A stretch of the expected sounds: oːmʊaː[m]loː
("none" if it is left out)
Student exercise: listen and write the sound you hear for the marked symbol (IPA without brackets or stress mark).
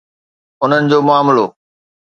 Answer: m